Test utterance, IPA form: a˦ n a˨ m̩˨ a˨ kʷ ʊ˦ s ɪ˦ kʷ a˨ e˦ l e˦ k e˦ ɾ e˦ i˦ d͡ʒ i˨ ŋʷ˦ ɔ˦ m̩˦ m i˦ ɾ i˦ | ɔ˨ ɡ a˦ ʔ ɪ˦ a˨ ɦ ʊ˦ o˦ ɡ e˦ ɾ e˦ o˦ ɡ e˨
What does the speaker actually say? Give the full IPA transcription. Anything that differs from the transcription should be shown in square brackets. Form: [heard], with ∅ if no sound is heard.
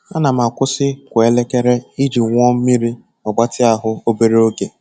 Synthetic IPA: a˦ n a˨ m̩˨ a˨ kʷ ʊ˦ s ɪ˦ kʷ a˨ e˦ l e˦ k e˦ ɾ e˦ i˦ d͡ʒ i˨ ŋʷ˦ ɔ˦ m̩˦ m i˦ ɾ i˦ | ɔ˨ [ɡ͡b] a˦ [t] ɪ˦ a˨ ɦ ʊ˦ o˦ [b] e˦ ɾ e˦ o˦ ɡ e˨